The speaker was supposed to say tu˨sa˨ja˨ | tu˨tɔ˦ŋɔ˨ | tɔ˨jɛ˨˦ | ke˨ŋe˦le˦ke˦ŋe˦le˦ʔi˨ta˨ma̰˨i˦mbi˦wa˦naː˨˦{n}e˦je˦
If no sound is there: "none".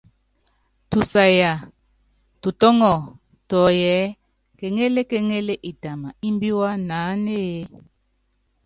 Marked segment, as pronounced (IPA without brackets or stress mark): n